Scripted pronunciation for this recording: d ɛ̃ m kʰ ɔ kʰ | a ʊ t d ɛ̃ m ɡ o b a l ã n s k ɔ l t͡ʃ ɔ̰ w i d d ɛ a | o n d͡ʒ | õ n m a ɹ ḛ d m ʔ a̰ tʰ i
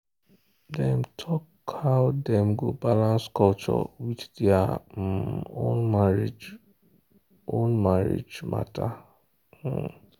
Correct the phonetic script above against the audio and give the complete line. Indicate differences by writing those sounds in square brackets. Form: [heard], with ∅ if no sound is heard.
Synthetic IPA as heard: d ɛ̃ m [tʰ] ɔ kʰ | a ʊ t d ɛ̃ m ɡ o b a l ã n s k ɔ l t͡ʃ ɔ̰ w i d d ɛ a | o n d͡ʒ | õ n m a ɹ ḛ [d͡ʒ] m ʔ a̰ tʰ [a]